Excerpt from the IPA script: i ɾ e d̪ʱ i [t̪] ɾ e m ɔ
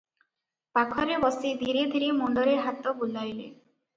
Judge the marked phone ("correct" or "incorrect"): incorrect